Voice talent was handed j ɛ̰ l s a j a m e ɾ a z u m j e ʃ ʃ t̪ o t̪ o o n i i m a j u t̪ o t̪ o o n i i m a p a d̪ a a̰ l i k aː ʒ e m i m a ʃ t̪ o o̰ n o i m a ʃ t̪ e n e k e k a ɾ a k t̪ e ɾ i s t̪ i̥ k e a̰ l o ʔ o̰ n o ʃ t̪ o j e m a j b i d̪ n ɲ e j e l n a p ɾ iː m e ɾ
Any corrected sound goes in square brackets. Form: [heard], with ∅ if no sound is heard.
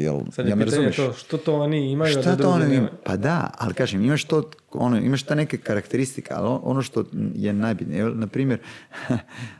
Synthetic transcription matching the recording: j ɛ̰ l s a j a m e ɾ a z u m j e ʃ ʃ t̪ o t̪ o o n i i m a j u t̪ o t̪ o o n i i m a p a d̪ a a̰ l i k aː ʒ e m i m a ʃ t̪ o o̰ n o i m a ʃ t̪ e n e k e k a ɾ a k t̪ e ɾ i s t̪ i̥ k e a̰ l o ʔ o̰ n o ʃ t̪ o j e [n] a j b i [t̪] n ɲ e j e l n a p ɾ iː m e ɾ